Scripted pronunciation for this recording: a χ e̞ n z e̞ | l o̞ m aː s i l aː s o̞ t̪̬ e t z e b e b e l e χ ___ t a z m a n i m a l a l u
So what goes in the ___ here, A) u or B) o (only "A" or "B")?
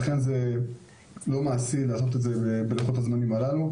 B